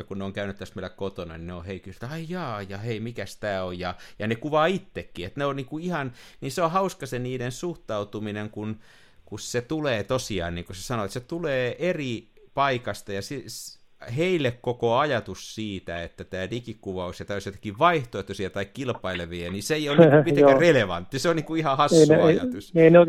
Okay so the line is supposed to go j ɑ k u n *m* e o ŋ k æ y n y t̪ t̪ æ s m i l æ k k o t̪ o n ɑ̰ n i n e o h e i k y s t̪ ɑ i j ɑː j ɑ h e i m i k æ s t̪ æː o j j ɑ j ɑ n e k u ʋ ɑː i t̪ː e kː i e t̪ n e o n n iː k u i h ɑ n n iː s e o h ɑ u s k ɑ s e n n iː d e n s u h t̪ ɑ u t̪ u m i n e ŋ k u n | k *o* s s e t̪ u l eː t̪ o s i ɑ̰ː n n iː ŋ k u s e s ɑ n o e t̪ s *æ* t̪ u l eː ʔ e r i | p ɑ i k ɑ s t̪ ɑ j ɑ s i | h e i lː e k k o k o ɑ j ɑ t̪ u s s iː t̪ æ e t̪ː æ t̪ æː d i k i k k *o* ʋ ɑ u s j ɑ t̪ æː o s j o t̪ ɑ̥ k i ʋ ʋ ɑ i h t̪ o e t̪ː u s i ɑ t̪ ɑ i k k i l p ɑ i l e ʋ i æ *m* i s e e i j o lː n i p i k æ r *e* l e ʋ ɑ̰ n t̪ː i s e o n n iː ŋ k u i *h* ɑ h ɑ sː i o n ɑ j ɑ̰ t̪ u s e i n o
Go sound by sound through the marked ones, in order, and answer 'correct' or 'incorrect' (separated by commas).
incorrect, incorrect, incorrect, incorrect, incorrect, correct, correct